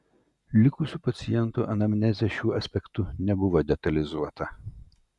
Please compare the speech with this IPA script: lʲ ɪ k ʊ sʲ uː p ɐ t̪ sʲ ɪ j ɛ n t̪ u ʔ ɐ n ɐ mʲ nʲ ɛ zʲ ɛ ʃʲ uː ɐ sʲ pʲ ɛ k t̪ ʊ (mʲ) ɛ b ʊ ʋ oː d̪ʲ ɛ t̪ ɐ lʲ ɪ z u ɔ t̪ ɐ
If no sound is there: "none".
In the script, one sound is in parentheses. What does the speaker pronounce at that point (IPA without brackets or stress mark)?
nʲ